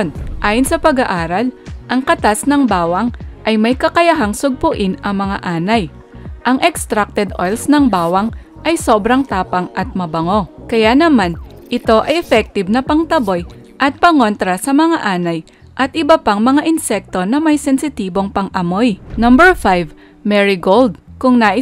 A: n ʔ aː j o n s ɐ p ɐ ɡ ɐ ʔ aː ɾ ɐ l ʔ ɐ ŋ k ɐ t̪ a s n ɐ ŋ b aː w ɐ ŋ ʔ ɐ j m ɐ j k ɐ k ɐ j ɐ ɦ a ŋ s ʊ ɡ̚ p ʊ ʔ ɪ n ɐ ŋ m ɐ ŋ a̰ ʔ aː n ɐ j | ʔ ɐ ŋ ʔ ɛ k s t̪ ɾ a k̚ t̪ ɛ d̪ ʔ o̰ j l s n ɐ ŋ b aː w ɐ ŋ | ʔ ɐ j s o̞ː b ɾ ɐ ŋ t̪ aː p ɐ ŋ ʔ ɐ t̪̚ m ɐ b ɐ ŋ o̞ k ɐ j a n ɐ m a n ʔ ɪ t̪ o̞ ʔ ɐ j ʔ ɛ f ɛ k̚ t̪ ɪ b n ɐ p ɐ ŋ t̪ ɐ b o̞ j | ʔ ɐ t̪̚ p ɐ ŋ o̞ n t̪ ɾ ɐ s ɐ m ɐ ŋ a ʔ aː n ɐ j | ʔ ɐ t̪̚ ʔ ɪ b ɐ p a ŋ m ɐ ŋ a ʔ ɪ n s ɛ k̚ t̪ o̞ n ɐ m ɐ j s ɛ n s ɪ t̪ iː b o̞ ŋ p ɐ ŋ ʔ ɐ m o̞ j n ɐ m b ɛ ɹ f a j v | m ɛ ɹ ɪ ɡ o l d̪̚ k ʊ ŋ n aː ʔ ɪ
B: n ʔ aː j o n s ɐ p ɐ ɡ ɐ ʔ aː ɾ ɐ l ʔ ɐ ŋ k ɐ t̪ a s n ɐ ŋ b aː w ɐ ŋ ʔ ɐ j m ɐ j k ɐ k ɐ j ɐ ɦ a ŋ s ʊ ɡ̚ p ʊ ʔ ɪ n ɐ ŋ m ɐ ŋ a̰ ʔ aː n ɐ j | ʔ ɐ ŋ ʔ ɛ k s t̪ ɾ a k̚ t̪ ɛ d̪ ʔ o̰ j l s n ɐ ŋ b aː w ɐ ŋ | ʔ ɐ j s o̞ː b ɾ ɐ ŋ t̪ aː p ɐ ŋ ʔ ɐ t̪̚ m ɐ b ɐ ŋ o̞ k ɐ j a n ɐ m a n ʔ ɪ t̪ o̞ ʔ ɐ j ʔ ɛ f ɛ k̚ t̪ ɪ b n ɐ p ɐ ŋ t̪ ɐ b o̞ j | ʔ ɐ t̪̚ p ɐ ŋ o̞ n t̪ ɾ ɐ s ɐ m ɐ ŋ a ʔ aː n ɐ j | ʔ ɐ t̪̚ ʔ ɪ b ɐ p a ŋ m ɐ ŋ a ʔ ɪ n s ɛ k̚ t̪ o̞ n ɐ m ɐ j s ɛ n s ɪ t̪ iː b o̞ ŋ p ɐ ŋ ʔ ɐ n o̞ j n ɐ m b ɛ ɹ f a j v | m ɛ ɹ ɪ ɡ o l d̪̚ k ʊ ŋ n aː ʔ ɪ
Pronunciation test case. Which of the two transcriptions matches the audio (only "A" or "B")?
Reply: A